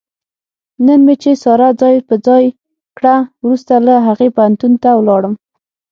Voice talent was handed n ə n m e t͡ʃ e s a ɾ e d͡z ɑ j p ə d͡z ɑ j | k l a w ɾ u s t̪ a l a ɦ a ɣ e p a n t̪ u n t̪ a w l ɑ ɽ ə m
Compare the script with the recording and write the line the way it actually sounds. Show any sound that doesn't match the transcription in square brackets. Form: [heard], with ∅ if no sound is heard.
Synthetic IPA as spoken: n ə n m e t͡ʃ e s [ɑ] ɾ [a] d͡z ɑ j p ə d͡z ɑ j | k [ɽ] a w ɾ u s t̪ a l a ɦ a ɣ e p a n t̪ u n t̪ a w l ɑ ɽ ə m

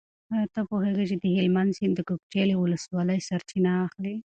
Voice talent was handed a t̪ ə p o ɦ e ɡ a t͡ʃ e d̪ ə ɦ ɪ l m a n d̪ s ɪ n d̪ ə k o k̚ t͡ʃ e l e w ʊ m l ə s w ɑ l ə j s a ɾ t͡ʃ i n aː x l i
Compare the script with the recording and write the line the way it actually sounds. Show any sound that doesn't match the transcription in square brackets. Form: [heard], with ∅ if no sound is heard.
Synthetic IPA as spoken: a t̪ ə p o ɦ e ɡ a t͡ʃ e d̪ ə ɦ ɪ l m a n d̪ s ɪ n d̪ ə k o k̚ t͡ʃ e l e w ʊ [∅] l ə s w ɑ l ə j s a ɾ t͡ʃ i n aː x l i

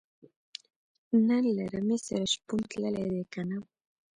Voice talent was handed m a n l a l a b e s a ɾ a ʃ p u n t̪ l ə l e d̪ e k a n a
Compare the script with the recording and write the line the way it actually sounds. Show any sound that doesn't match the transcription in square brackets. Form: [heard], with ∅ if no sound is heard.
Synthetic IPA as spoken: [n] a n l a [ɾ] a [m] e s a ɾ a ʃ p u n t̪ l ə l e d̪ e k a n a

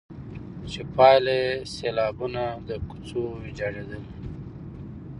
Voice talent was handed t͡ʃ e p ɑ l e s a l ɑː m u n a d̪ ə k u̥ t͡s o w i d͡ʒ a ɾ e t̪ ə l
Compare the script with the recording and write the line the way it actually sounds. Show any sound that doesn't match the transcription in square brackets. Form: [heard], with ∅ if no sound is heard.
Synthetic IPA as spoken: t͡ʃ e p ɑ l e s [e] l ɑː [b] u n a d̪ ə k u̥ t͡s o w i d͡ʒ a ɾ e [d̪] ə l

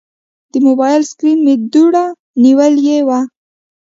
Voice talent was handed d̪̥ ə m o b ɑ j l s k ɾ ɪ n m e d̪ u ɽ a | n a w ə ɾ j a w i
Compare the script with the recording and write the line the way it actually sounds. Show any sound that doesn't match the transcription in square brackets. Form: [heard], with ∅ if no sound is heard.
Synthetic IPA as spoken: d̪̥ ə m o b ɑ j l s k ɾ [i] n m e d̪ u ɽ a | n [i] w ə [l] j [e] w [a]

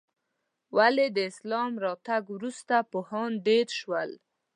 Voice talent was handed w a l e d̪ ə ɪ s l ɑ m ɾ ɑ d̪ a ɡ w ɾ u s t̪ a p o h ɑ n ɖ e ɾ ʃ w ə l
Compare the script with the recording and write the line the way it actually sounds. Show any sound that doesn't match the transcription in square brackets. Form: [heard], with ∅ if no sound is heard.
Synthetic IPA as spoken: w a l e d̪ ə ɪ s l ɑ m ɾ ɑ [t̪] a ɡ w ɾ u s t̪ a p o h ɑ n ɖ e ɾ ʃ w ə l

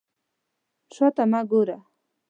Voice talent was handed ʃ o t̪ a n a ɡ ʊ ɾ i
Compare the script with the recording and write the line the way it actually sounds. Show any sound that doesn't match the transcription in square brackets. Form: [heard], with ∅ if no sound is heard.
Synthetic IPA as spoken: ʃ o t̪ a [m] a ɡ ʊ ɾ [a]

